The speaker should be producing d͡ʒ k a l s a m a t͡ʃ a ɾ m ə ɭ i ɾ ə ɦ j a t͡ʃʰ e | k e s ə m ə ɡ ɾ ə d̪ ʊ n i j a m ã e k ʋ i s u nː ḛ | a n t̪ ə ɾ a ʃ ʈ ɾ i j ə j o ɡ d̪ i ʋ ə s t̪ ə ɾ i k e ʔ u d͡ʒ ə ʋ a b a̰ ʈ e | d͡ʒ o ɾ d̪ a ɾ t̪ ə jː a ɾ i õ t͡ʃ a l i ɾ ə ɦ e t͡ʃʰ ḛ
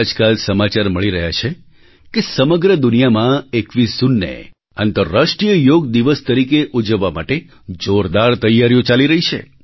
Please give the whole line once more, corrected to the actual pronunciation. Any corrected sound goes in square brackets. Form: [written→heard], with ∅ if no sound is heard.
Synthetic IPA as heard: d͡ʒ k a l s [a→ə] m a t͡ʃ a ɾ m ə ɭ i ɾ ə ɦ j a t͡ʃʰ e | k e s ə m ə ɡ ɾ ə d̪ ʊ n i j a m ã e k ʋ i s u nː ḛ | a n t̪ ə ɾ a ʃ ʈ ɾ i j ə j o ɡ d̪ i ʋ ə s t̪ ə ɾ i k e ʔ u d͡ʒ ə [ʋ→ʋː] a [b→m] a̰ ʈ e | d͡ʒ o ɾ d̪ a ɾ t̪ ə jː a ɾ [i→j] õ t͡ʃ a l i ɾ ə ɦ [e→i] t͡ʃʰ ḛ